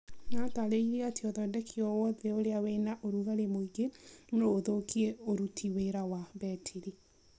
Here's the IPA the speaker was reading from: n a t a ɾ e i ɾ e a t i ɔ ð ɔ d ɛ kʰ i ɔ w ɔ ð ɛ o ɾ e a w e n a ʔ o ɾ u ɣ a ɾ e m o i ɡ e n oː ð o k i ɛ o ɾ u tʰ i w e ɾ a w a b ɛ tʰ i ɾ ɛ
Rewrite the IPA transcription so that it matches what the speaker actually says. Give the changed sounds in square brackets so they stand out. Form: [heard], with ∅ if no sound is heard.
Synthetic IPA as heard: n a t a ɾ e i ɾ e a t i ɔ ð ɔ d ɛ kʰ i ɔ w ɔ ð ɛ o ɾ e a w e n a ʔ o ɾ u ɣ a ɾ e m o i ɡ e n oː ð o k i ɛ o ɾ u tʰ i w e ɾ a w a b ɛ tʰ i ɾ [i]

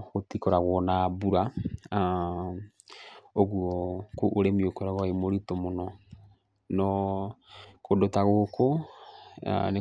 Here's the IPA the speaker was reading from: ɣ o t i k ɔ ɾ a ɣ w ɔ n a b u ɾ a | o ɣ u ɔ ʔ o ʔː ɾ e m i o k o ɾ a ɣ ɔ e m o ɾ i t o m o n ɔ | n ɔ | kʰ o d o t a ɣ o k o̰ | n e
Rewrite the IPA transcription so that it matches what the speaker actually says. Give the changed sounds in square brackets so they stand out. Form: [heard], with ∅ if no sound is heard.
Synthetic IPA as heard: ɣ o t i k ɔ ɾ a ɣ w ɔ n a b u ɾ a | o ɣ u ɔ [k] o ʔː ɾ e m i o k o ɾ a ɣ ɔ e m o ɾ i t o m o n ɔ | n ɔ | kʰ o d o t a ɣ o k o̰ | n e

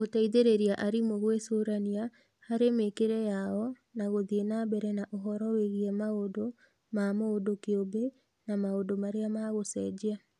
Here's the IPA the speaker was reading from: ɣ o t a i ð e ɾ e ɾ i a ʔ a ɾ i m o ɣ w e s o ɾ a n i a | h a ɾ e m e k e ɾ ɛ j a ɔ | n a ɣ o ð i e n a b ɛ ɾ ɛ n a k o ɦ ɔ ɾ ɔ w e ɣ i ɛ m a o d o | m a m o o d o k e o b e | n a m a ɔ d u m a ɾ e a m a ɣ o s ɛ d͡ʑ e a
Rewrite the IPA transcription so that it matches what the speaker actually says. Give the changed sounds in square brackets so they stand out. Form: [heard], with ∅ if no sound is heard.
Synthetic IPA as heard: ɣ o t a i ð e ɾ e ɾ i a ʔ a ɾ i m o ɣ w e s o ɾ a n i a | h a ɾ e m e k e ɾ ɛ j a ɔ | n a ɣ o ð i e n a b ɛ ɾ ɛ n a [ʔ] o ɦ ɔ ɾ ɔ w e ɣ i ɛ m a o d o | m a m o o d o k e o b e | n a m a [o] d [o] m a ɾ e a m a ɣ o s ɛ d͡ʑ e a

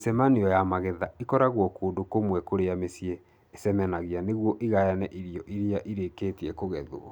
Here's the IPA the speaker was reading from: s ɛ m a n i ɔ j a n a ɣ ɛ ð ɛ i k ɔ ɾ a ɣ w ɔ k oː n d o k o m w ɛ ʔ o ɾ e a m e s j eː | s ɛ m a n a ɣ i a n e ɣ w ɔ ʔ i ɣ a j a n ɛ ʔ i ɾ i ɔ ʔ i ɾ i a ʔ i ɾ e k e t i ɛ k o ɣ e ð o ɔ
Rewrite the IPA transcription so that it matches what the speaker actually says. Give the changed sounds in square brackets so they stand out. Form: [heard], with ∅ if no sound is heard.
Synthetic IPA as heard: s ɛ m a n i ɔ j a [m] a ɣ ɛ ð [a] i k ɔ ɾ a ɣ w ɔ k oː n d o k o m w ɛ [k] o ɾ e a m e s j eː | s ɛ m [ɛ] n a ɣ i a n e ɣ w ɔ ʔ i ɣ a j a n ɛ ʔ i ɾ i ɔ ʔ i ɾ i a ʔ i ɾ e k e t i ɛ k o ɣ [ɛ] ð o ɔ

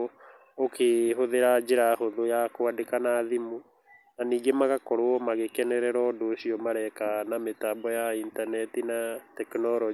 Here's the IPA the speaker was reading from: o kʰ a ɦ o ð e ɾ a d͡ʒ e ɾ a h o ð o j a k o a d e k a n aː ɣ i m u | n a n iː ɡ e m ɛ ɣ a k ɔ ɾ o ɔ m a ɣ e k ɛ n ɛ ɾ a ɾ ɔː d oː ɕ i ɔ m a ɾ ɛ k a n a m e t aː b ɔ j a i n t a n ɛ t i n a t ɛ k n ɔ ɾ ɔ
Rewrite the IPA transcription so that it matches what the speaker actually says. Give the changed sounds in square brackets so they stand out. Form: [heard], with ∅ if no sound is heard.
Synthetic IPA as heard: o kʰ [e] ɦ o ð e ɾ a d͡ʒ e ɾ a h o ð o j a k o a d e k a n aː [ð] i m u | n a n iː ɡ e m [a] ɣ a k ɔ ɾ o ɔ m a ɣ e k ɛ n ɛ ɾ [ɛ] ɾ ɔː d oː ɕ i ɔ m a ɾ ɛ k a n a m e t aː b ɔ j a i n t a n ɛ t i n a t ɛ k n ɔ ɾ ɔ

